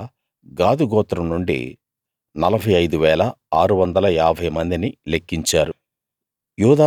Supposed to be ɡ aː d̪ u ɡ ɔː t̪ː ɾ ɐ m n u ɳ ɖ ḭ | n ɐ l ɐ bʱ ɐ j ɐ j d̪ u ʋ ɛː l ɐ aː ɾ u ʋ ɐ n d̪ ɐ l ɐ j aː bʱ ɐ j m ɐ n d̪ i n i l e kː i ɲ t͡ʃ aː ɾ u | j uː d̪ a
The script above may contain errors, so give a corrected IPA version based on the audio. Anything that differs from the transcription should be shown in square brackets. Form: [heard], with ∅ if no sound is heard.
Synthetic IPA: ɡ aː d̪ u ɡ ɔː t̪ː ɾ ɐ m n u ɳ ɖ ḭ | n ɐ l ɐ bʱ ɐ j ɐ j d̪ u ʋ ɛː l ɐ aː ɾ u ʋ ɐ n d̪ ɐ l ɐ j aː bʱ ɐ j m ɐ n d̪ i n i l e kː i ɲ t͡ʃ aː ɾ u | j uː d̪ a